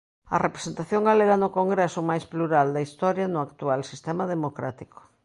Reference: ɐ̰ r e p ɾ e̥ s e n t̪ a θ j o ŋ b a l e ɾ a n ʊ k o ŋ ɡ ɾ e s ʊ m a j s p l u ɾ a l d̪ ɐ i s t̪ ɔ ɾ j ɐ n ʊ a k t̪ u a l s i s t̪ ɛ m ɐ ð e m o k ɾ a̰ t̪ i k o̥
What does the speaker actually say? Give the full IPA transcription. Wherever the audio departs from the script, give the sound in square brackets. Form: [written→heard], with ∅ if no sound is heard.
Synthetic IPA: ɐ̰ r e p ɾ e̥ s e n t̪ a θ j o ŋ [b→ɡ] a l e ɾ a n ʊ k o ŋ ɡ ɾ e s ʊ m a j s p l u ɾ a l d̪ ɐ i s t̪ ɔ ɾ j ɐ n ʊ a k t̪ u a l s i s t̪ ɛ m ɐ ð e m o k ɾ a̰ t̪ i k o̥